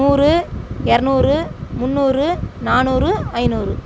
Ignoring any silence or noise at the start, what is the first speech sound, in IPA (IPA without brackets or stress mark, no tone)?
uː